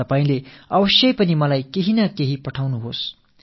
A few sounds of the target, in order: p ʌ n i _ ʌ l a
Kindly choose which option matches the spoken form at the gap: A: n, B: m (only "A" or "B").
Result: B